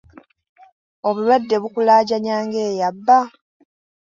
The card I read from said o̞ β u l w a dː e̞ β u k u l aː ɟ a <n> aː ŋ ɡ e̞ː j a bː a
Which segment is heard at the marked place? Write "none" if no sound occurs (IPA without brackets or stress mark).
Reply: ɲ